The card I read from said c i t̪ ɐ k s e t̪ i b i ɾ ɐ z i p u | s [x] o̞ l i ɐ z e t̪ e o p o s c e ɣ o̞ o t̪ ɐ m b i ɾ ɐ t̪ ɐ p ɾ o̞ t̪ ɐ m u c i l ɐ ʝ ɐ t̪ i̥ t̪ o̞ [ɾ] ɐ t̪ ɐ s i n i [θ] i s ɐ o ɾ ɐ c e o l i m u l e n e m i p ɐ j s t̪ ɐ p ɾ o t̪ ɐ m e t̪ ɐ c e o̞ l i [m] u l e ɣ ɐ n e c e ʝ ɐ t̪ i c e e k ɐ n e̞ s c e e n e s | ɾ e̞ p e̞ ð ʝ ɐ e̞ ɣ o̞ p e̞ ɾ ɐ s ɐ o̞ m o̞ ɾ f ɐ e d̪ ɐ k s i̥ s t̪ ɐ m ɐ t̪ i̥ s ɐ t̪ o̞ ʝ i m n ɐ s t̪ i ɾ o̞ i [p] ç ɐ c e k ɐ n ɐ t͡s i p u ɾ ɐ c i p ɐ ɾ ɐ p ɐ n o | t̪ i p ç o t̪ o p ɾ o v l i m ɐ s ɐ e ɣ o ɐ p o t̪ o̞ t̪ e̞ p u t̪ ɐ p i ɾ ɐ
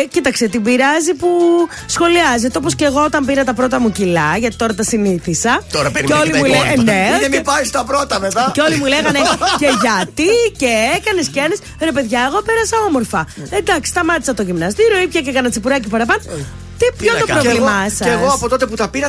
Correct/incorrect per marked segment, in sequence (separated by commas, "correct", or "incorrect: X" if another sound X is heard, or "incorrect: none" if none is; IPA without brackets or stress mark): correct, correct, correct, correct, correct